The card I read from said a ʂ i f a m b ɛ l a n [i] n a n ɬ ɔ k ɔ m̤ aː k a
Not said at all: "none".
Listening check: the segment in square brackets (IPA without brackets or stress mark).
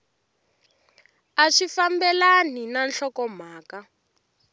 i